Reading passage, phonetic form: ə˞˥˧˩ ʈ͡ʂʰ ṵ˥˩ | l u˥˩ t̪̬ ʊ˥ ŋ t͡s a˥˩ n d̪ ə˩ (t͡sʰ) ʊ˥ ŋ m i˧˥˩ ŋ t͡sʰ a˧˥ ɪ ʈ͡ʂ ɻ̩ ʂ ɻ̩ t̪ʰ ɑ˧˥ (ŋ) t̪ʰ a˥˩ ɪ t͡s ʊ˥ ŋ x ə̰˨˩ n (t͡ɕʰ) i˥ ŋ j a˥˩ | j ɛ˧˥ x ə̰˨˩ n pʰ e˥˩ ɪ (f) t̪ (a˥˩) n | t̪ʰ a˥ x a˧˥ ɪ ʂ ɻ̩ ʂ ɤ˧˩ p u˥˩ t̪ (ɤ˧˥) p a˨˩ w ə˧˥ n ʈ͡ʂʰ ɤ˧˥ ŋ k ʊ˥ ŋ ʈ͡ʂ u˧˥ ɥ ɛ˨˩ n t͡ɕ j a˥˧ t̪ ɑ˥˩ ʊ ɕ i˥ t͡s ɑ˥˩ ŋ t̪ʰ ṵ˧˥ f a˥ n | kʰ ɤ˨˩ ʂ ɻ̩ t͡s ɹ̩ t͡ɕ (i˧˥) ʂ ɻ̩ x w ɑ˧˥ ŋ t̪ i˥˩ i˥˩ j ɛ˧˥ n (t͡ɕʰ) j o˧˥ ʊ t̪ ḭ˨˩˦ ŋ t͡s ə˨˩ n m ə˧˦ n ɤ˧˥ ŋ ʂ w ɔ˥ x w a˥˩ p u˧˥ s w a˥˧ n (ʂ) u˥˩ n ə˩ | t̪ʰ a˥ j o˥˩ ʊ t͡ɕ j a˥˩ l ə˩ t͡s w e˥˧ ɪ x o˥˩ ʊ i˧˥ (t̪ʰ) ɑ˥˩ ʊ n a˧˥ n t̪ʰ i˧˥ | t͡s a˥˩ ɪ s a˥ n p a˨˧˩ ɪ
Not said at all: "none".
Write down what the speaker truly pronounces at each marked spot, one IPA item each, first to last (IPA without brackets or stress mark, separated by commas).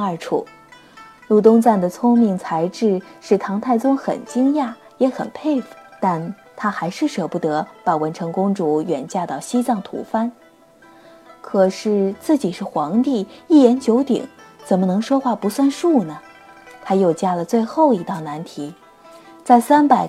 t͡sʰ, ŋ, t͡ɕ, f, a˥˩, ɤ˧˥, i˨˩, t͡ɕ, ʂ, t̪